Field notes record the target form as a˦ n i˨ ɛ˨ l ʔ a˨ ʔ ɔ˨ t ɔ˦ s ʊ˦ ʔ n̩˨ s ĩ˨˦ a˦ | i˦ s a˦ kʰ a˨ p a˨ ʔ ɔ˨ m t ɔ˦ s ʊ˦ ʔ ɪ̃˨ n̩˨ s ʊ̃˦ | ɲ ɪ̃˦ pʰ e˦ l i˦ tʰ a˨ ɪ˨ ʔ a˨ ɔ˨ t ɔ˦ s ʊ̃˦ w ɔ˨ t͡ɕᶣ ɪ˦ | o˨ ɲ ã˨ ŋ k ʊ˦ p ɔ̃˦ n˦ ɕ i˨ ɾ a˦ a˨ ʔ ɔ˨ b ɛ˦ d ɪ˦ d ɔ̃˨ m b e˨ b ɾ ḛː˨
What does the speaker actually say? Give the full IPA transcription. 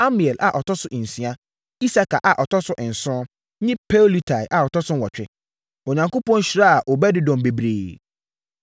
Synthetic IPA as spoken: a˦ m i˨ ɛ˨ l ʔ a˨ ʔ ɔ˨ t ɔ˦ s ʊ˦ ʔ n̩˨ s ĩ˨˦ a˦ | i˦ s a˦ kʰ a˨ ʔ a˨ ʔ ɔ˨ t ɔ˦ s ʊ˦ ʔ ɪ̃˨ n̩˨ s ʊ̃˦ | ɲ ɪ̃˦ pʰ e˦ l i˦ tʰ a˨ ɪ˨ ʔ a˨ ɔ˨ t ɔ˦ s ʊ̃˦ w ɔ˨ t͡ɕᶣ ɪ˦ | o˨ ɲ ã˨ ŋ k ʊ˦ p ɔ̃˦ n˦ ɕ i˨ ɾ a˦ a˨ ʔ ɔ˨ b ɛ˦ d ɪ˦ d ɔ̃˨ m b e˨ b ɾ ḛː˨